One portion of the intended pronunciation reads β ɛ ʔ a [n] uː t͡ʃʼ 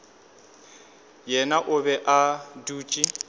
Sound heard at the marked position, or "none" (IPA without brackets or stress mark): d